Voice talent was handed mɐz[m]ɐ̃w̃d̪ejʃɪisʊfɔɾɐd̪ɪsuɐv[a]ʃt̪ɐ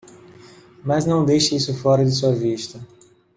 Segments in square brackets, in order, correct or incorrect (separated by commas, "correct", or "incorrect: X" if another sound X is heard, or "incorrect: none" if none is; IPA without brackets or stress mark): incorrect: n, incorrect: i